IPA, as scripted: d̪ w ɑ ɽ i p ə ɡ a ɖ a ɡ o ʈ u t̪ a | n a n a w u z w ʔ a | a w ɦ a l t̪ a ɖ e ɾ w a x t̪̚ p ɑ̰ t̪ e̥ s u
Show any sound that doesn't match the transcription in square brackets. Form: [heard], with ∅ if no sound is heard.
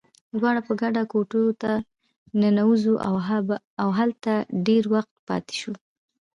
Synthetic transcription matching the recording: d̪ w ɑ ɽ [a] p ə ɡ a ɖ a [k] o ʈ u t̪ a | n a n a w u z [u] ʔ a | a w ɦ a l t̪ a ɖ e ɾ w a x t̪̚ p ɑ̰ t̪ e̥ [ʃ] u